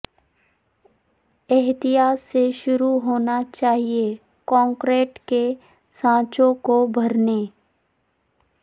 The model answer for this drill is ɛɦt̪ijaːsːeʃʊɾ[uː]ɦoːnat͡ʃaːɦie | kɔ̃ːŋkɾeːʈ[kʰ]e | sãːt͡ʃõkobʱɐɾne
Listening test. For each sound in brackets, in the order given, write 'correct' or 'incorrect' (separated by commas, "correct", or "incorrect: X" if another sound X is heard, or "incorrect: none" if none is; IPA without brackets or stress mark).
incorrect: u, incorrect: k